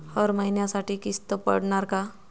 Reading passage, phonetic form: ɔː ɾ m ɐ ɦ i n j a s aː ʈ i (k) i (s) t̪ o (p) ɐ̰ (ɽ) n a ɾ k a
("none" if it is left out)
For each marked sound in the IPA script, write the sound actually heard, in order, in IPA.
k, s, p, ɽ

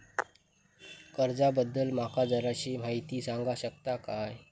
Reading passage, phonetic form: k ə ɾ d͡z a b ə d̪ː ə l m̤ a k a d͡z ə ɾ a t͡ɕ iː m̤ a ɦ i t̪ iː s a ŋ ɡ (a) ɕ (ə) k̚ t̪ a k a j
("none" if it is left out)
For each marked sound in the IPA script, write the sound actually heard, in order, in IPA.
a, ə

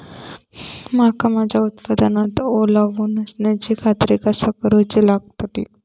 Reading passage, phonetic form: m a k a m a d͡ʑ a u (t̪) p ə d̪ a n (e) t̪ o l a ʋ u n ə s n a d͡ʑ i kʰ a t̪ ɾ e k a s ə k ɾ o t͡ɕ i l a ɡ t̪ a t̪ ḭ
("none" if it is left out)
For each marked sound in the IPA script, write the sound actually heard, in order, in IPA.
t̪, a

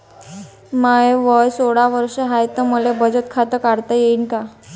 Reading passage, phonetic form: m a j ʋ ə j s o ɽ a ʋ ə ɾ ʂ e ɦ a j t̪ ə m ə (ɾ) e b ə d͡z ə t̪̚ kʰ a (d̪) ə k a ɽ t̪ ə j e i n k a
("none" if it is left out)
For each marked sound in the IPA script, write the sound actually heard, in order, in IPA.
l, t̪

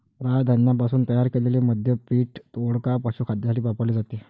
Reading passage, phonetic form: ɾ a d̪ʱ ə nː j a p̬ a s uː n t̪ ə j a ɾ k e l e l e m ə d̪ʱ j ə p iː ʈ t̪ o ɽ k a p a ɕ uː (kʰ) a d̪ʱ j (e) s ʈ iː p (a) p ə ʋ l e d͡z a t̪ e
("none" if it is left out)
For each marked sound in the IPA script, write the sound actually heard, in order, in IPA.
kʰ, a, a

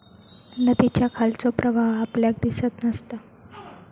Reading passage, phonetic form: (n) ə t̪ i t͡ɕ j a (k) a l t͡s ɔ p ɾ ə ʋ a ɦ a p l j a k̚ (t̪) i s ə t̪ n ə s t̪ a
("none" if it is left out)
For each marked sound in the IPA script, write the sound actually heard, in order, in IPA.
n, kʰ, d̪

